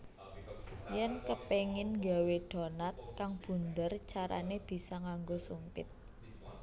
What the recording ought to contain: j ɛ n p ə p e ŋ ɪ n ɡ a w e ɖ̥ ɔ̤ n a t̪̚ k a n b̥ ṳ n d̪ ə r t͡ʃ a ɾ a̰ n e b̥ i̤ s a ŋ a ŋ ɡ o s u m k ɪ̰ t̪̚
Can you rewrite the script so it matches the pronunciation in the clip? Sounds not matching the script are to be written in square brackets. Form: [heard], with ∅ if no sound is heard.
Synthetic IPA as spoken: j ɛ n [k] ə p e ŋ ɪ n ɡ a w e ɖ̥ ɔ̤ n a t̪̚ k a [ŋ] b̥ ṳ n d̪ ə r t͡ʃ a ɾ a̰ n e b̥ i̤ s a ŋ a ŋ ɡ o s u m [p] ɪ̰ t̪̚